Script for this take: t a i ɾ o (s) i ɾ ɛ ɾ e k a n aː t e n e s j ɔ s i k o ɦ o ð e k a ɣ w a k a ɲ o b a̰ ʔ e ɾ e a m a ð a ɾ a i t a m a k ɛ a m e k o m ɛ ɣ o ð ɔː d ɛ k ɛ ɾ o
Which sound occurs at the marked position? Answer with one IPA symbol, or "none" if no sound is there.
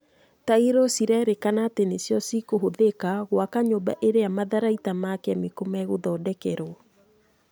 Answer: s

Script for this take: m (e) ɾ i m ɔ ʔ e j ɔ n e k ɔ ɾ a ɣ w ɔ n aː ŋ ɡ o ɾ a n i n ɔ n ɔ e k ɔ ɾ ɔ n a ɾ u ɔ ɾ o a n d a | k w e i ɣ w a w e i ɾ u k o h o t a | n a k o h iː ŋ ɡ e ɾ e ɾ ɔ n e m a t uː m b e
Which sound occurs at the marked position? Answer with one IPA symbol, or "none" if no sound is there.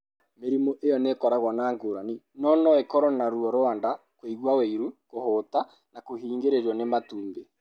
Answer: e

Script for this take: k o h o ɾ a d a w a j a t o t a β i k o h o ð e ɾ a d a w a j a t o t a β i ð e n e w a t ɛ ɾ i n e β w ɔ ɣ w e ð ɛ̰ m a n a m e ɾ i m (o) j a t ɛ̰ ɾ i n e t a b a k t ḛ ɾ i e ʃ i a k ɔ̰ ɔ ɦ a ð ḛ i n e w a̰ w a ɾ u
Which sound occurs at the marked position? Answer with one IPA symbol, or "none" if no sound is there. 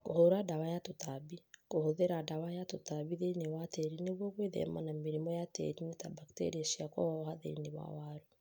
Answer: ɔ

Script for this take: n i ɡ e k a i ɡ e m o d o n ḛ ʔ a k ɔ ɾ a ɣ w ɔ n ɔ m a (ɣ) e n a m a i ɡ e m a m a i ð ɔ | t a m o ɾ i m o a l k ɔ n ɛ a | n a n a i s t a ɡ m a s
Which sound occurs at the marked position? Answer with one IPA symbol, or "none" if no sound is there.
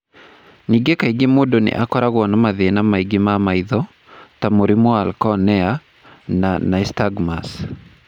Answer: ð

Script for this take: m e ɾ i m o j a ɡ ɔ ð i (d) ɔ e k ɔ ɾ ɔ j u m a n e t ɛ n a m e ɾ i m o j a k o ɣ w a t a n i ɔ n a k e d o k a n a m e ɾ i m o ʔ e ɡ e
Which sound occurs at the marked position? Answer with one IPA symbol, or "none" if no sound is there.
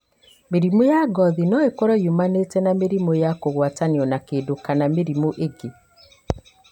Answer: n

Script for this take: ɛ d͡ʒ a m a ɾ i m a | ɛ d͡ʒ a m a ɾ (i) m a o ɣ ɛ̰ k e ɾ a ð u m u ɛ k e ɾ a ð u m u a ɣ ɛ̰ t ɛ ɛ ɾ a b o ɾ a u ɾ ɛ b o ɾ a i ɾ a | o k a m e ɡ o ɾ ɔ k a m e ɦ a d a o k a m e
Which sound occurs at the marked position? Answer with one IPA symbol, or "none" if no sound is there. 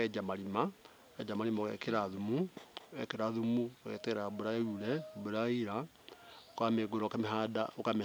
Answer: i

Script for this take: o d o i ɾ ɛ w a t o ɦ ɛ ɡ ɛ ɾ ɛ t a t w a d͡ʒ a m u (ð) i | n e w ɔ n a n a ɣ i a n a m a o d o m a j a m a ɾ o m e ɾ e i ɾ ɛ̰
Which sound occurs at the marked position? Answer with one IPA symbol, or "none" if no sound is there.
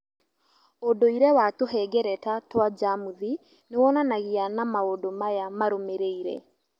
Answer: ð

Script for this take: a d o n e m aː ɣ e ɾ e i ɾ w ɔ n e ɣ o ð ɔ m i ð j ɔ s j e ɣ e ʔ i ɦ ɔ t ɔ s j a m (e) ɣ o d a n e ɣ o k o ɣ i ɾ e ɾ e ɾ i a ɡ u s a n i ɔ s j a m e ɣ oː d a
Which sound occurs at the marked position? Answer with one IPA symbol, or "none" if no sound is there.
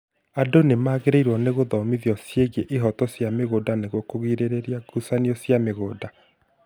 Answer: e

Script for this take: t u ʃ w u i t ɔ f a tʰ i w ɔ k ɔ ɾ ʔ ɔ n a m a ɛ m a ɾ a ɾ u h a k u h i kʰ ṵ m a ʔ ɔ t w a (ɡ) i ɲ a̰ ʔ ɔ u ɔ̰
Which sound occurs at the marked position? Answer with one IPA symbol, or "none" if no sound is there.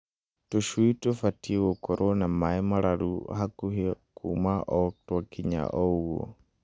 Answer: k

